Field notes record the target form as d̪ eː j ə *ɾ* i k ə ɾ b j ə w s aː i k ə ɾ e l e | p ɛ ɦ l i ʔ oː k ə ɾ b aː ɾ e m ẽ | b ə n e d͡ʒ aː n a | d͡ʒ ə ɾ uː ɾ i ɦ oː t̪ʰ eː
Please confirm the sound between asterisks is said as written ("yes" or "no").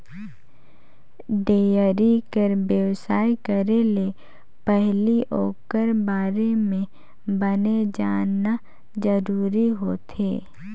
yes